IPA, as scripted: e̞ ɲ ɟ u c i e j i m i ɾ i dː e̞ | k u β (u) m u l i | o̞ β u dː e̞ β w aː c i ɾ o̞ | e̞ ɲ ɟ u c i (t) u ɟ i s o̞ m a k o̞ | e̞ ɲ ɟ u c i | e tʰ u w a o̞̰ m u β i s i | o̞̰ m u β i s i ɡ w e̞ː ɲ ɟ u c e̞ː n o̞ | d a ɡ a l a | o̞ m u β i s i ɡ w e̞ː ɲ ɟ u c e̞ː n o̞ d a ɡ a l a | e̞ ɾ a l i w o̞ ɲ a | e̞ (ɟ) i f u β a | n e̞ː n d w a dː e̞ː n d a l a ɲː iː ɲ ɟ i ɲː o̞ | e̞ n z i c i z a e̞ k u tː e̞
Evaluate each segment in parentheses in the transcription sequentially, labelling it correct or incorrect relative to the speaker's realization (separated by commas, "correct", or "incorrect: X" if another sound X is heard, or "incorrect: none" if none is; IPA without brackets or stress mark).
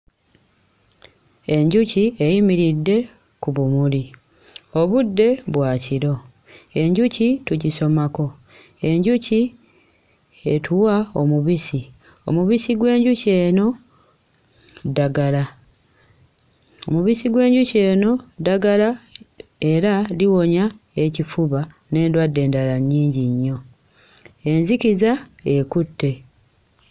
correct, correct, incorrect: c